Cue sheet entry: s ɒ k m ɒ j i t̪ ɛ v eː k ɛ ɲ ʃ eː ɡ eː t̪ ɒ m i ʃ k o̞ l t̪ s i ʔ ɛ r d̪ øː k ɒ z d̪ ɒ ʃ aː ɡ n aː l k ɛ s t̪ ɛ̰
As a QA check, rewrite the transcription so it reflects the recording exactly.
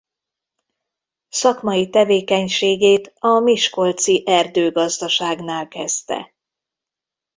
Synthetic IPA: s ɒ k m ɒ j i t̪ ɛ v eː k ɛ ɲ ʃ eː ɡ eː t̪ ɒ m i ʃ k o̞ l t̪ s i ʔ ɛ r d̪ øː ɡ ɒ z d̪ ɒ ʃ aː ɡ n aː l k ɛ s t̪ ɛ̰